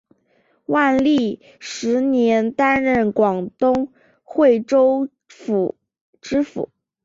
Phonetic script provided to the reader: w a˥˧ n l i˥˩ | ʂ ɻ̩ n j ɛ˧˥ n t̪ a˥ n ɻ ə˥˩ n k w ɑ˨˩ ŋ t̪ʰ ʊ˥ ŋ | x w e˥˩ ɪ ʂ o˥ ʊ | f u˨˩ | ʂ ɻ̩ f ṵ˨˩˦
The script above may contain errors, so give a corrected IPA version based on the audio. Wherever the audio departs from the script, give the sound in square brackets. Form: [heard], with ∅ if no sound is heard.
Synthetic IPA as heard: w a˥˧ n l i˥˩ | ʂ ɻ̩ n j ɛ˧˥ n t̪ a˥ n ɻ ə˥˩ n k w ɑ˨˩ ŋ [t̪] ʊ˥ ŋ | x w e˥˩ ɪ [ʈ͡ʂ] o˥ ʊ | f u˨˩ | [ʈ͡ʂ] ɻ̩ f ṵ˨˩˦